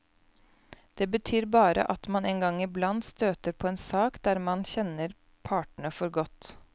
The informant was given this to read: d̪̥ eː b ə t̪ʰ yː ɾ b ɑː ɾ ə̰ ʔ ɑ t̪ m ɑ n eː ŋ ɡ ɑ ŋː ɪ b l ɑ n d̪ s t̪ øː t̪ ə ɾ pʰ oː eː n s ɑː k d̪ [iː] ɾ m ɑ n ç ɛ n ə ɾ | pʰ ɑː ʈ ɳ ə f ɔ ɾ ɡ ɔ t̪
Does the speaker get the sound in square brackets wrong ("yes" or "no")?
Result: yes